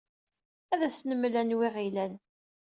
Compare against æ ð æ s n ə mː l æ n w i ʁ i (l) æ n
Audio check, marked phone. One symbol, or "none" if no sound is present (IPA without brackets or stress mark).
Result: l